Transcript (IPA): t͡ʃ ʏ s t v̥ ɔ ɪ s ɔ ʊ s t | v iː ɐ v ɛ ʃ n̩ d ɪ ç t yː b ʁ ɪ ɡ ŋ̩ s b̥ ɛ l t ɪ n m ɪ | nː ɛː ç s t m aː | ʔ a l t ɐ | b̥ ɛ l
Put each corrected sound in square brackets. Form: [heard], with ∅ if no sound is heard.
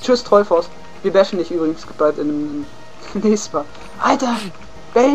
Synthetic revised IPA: t͡ʃ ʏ s t [ʁ̥] ɔ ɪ [f] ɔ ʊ s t | v iː ɐ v ɛ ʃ n̩ d ɪ ç [ʔ] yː b ʁ ɪ ɡ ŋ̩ s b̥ [a] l t ɪ n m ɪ | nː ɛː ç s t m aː | ʔ a l t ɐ | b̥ ɛ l